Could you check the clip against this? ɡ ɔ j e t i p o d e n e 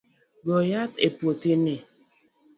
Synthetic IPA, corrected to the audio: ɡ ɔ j a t e p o t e n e

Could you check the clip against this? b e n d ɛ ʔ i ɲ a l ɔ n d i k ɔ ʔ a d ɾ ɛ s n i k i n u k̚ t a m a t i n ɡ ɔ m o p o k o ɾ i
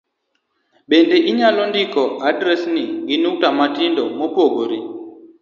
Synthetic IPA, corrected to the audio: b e n d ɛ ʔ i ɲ a l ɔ n d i k ɔ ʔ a d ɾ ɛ s n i ɡ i n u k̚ t a m a t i n d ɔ m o p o ɡ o ɾ i

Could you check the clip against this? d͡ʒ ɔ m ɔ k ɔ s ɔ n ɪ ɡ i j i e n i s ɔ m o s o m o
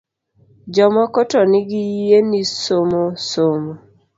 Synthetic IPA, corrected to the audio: d͡ʒ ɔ m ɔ k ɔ t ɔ n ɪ ɡ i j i e n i s o m o s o m o

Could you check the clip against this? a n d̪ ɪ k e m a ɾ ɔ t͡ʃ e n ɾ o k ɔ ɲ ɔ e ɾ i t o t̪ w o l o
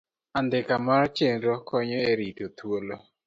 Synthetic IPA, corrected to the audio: a n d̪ ɪ k a m a ɾ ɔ t͡ʃ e n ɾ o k ɔ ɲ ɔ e ɾ i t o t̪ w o l o

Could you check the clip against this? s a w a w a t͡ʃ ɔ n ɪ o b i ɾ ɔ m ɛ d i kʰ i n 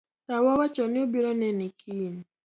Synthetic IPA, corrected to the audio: s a w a w a t͡ʃ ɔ n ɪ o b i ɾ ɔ n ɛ n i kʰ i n

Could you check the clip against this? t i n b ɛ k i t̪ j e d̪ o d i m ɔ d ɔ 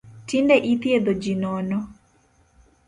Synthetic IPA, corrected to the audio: t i n d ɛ ʔ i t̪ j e d̪ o d͡ʒ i n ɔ n ɔ

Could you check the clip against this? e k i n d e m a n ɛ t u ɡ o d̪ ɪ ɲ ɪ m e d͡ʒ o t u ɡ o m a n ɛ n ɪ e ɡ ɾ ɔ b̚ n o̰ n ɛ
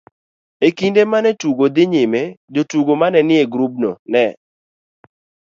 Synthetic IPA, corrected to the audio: e k i n d e m a n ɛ t u ɡ o d̪ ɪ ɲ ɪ m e d͡ʒ o t u ɡ o m a n ɛ n ɪ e ɡ ɾ u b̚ n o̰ n ɛ

